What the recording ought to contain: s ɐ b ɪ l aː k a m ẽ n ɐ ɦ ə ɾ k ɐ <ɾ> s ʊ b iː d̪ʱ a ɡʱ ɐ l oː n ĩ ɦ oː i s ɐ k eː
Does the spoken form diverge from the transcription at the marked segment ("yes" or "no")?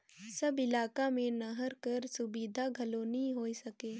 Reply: no